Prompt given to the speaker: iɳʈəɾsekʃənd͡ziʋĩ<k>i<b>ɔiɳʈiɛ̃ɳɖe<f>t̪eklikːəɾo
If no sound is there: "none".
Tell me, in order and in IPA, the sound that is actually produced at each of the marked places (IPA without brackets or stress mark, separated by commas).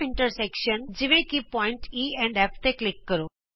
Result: k, p, f